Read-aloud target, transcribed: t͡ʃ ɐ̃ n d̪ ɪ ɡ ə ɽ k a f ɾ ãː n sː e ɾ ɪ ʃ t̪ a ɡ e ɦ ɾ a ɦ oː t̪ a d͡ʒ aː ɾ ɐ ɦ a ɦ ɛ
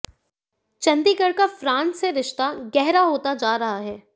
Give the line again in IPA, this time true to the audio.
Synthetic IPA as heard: t͡ʃ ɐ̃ n d̪ i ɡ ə ɽ k a f ɾ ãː n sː e ɾ ɪ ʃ t̪ a ɡ ɛ ɦ ɾ a ɦ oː t̪ a d͡ʒ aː ɾ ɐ ɦ a ɦ ɛː